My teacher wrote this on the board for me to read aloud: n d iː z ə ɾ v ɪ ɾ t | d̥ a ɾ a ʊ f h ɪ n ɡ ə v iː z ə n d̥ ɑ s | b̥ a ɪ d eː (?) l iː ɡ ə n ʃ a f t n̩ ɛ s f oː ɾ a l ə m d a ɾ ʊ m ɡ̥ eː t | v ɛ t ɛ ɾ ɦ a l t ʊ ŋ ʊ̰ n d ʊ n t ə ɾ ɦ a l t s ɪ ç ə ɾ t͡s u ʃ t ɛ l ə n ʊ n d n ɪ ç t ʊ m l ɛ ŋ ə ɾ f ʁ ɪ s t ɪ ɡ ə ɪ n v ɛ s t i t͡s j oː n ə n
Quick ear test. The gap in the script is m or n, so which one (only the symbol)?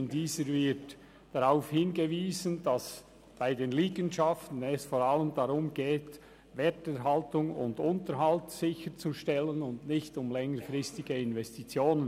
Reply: n